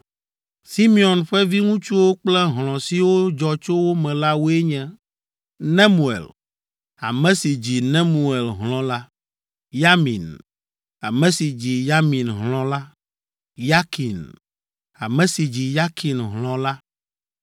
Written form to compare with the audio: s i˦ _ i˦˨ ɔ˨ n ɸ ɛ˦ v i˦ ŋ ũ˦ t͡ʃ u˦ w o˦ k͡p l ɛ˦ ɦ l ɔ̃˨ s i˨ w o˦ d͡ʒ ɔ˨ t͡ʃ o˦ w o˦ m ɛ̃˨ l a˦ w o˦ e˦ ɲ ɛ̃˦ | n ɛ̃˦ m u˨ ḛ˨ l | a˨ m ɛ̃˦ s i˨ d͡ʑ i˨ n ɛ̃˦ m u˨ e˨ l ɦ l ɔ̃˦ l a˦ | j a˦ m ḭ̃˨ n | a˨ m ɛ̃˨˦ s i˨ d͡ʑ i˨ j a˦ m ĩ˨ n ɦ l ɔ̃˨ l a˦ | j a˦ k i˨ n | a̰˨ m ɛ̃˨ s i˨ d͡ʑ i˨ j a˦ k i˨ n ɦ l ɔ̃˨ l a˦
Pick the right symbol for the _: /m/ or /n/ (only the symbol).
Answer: m